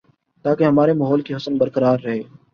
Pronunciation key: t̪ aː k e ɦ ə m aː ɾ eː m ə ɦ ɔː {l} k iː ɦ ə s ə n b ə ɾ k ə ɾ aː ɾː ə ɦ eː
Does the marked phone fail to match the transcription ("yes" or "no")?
no